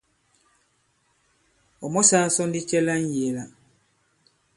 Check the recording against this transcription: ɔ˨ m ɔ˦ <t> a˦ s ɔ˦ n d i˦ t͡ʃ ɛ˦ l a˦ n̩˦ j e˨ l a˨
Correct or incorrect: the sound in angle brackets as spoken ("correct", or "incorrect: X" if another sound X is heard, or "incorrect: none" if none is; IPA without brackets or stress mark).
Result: incorrect: s